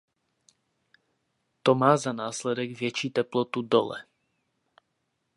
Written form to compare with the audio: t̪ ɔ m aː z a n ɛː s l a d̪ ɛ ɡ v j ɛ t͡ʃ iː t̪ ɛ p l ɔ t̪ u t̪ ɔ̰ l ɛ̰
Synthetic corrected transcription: t̪ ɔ m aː z a n aː s l ɛ d̪ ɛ ɡ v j ɛ t͡ʃ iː t̪ ɛ p l ɔ t̪ u d̪ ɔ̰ l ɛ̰